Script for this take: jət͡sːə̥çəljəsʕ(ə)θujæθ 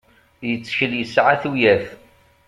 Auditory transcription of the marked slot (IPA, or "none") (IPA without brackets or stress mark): a